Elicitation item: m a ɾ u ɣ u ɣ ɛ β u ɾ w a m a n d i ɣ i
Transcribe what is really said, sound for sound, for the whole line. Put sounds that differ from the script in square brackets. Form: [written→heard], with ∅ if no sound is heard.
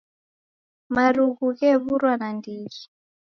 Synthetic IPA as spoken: m a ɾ u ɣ u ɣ ɛ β u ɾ w a [m→n] a n d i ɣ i